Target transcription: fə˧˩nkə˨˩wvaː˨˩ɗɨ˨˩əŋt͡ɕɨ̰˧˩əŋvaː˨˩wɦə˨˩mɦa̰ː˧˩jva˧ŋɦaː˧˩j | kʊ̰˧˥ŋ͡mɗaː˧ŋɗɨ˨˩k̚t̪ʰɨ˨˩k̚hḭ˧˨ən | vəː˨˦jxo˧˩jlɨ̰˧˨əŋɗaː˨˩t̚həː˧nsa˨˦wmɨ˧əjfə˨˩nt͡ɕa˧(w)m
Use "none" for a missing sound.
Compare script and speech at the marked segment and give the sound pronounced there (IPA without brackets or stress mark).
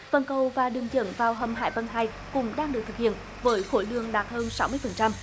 none